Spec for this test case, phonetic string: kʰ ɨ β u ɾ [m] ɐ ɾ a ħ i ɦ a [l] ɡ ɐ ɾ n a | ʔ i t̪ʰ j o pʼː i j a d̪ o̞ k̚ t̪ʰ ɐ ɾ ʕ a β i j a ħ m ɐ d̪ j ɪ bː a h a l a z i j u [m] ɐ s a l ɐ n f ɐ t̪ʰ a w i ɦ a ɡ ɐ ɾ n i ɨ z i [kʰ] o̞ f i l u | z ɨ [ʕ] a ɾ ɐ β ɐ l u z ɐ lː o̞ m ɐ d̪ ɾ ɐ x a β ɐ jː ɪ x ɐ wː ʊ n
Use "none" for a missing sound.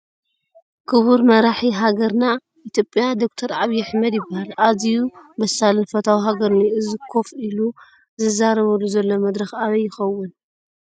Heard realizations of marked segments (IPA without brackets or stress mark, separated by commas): m, none, b, kʰ, z